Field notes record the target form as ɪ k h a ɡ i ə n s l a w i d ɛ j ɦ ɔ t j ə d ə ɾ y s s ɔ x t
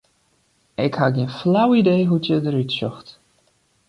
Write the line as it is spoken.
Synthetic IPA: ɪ k h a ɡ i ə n f l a w i d e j ɦ u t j ə d ə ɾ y t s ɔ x t